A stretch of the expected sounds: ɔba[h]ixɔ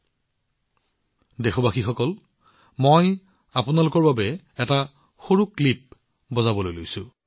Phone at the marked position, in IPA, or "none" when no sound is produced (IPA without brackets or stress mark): x